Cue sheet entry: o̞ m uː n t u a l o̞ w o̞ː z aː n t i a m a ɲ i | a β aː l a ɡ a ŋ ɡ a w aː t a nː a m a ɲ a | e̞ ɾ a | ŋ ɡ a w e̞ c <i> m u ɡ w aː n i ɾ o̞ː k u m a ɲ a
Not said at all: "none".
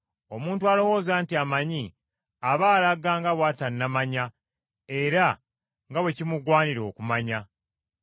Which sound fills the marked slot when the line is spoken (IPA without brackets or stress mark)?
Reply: i